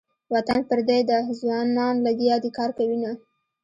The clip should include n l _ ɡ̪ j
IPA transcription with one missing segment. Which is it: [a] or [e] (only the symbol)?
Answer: a